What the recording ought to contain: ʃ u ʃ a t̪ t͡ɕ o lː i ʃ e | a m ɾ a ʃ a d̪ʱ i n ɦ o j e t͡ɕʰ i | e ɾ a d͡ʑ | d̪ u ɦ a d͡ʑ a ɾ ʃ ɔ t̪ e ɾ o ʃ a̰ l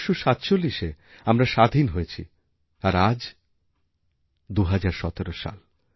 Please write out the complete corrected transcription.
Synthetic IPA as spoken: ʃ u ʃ a t̪ t͡ɕ o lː i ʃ e | a m ɾ a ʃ a d̪ʱ i n ɦ o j e t͡ɕʰ i | a ɾ a d͡ʑ | d̪ u ɦ a d͡ʑ a ɾ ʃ ɔ t̪ e ɾ o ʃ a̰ l